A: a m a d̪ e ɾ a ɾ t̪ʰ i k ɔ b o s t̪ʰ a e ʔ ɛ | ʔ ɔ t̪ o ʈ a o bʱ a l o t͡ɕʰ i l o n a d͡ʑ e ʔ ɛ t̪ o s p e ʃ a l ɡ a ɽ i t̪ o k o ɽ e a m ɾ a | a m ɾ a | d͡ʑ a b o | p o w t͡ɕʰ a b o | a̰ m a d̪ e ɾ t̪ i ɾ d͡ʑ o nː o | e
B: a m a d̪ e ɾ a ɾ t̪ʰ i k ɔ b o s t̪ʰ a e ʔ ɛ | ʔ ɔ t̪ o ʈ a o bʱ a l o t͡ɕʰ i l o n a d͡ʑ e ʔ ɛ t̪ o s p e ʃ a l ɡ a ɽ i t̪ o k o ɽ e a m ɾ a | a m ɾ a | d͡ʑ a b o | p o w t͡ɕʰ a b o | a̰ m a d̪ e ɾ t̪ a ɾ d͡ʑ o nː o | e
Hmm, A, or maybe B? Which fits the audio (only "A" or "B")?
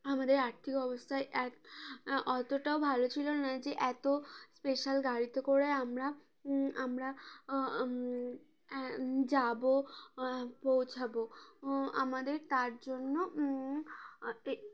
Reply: B